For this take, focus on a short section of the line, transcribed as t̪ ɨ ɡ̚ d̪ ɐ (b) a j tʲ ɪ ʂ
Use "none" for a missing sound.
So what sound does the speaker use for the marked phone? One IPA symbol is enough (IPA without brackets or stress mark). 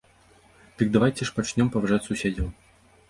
v